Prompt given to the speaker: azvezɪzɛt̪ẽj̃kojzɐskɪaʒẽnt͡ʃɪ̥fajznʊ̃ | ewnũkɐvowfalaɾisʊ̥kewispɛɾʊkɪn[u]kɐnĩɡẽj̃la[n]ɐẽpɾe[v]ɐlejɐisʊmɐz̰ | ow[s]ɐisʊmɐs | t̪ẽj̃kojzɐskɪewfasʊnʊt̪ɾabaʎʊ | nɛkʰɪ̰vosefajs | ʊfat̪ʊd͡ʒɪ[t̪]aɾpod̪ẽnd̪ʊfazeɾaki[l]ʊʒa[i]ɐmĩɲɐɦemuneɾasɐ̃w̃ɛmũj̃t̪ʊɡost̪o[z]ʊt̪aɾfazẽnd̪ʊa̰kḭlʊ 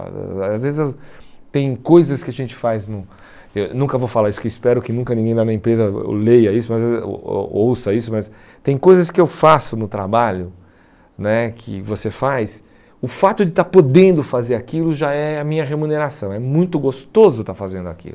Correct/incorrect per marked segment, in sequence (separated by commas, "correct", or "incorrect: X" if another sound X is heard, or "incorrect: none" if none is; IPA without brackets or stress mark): incorrect: ũ, correct, incorrect: z, correct, correct, correct, incorrect: ɛ, correct